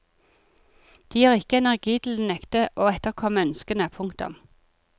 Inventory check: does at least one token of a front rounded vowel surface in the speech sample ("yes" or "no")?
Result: yes